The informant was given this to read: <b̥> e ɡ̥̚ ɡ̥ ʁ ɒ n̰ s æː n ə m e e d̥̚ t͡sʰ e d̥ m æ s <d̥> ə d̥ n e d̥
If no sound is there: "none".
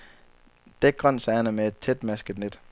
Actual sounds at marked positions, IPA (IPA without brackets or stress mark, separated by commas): d̥, ɡ̥